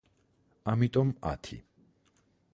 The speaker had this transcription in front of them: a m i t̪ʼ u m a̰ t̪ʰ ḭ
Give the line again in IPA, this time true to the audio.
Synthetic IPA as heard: a m i t̪ʼ ɔ m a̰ t̪ʰ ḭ